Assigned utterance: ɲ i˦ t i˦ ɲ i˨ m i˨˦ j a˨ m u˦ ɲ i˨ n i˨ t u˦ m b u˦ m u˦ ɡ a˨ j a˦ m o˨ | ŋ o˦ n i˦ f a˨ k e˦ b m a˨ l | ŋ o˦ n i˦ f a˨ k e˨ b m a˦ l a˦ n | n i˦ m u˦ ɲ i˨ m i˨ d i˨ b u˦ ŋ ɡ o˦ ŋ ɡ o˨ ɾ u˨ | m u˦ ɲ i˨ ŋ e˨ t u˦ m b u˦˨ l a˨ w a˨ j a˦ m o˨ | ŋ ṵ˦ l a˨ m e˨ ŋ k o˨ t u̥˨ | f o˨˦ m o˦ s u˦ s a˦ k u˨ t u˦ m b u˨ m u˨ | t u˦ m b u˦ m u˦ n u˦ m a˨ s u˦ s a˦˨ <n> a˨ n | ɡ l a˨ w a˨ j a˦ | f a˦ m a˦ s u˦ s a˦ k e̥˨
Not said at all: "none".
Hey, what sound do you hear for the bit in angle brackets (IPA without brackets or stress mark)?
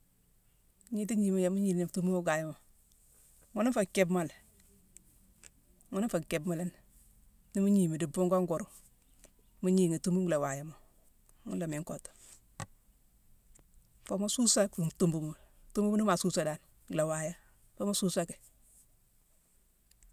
d